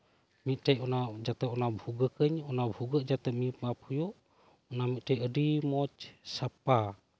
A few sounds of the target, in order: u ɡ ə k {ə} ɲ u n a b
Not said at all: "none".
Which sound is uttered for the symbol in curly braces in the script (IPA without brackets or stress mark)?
ə